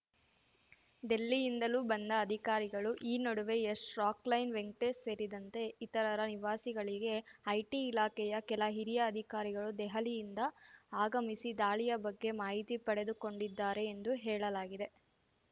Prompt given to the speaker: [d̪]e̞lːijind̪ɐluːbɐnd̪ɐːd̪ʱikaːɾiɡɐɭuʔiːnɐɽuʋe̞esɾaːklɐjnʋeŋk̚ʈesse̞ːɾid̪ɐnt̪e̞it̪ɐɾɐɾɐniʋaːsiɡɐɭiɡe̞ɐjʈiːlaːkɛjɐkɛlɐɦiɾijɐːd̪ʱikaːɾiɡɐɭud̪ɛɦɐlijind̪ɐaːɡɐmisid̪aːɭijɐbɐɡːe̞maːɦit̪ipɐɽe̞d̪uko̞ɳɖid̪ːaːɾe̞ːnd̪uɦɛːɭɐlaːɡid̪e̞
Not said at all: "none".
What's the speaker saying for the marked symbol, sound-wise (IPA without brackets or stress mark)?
d̪